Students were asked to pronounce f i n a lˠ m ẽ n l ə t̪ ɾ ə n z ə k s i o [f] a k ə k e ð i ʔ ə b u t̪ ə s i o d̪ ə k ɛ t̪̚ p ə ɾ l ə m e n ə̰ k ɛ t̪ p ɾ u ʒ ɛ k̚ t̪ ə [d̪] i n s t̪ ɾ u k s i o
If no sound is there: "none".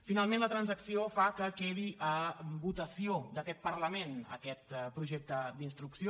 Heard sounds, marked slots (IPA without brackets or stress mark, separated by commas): f, d̪